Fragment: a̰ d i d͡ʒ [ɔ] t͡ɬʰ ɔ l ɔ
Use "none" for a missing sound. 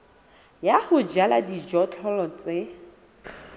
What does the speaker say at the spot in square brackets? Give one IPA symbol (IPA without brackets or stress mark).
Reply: ɔ